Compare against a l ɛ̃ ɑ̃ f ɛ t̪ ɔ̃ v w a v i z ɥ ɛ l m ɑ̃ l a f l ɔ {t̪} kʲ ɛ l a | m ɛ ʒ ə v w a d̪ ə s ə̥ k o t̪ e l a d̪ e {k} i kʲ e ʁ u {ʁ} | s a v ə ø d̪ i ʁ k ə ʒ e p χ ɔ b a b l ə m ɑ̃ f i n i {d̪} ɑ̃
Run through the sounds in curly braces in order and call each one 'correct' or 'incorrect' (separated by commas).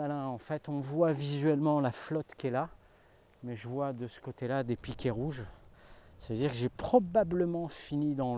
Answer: correct, incorrect, incorrect, correct